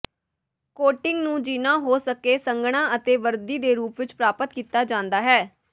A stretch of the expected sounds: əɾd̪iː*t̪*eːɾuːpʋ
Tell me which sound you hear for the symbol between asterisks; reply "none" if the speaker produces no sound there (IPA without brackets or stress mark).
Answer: d̪